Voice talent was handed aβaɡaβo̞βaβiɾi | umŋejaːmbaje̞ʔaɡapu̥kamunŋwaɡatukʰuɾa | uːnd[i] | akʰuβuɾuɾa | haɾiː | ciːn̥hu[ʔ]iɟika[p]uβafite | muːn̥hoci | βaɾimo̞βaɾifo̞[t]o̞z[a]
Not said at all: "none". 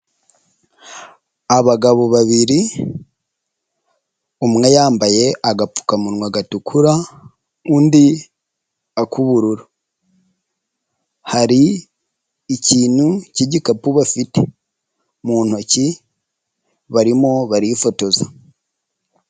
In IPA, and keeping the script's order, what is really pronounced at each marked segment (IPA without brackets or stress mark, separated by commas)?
i, c, p, t, a